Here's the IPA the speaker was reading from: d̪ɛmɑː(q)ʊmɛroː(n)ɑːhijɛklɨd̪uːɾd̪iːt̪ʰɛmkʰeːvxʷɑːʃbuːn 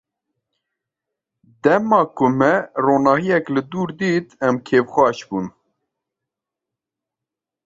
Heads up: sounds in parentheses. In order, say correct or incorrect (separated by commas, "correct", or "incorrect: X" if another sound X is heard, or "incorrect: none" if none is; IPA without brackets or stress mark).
incorrect: k, correct